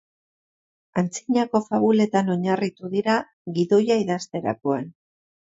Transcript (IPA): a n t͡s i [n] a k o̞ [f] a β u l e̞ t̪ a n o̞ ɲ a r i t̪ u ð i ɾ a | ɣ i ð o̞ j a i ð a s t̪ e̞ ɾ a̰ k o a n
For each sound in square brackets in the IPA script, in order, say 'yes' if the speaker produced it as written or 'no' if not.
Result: no, yes

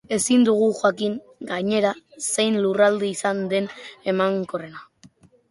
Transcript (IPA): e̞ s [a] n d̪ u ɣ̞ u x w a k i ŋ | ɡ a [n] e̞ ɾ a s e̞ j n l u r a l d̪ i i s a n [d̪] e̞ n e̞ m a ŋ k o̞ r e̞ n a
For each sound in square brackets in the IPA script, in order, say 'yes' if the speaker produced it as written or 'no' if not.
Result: no, no, yes

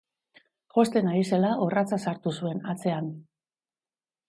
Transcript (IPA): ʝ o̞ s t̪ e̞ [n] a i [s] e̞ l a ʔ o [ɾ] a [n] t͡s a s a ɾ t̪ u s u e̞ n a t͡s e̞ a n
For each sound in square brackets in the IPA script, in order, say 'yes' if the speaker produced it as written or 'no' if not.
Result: yes, yes, no, no

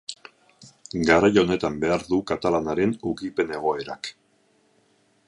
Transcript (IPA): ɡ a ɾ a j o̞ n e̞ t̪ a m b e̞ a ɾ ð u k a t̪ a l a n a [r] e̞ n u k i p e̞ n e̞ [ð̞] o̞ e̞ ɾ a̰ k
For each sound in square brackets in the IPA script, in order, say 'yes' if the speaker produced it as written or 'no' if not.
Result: no, no

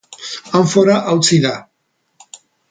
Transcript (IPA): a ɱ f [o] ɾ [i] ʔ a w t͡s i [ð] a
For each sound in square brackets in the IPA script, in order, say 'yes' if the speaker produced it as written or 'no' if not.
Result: yes, no, yes

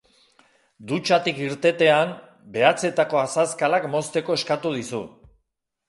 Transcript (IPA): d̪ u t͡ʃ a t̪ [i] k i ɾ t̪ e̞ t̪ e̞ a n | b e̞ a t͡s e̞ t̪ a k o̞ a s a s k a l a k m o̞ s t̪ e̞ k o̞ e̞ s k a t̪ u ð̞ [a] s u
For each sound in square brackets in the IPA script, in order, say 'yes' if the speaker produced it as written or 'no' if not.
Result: yes, no

